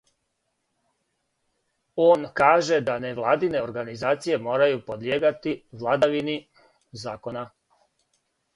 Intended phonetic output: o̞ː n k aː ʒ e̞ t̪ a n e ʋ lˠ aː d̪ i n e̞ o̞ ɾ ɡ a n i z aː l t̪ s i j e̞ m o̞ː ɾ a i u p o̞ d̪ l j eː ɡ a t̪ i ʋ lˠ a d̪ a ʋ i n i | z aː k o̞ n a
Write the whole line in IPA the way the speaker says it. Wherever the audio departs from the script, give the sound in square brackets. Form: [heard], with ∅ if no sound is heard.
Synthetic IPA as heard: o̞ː n k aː ʒ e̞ [d̪] a n e ʋ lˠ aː d̪ i n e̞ o̞ ɾ ɡ a n i z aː [∅] t̪ s i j e̞ m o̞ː ɾ a [j] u p o̞ d̪ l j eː ɡ a t̪ i ʋ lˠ a d̪ a ʋ i n i | z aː k o̞ n a